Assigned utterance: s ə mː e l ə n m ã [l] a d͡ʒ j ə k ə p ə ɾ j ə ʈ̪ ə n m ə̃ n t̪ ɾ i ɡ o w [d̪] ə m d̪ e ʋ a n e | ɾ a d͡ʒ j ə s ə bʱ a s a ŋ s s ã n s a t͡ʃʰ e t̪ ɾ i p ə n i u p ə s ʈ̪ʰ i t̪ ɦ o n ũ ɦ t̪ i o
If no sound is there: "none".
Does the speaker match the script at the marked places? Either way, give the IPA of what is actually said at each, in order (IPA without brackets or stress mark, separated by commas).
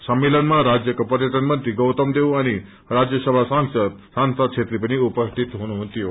ɾ, t̪